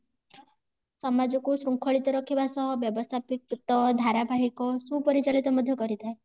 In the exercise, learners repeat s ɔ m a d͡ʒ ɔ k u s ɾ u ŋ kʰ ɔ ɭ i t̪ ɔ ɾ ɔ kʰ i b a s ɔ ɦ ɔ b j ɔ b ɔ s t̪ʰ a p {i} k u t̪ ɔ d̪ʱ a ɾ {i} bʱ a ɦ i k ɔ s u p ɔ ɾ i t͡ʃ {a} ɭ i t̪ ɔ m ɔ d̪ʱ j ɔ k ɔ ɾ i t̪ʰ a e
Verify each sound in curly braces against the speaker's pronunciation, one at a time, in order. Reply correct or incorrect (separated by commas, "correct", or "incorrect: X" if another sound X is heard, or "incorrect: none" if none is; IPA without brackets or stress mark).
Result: correct, incorrect: a, correct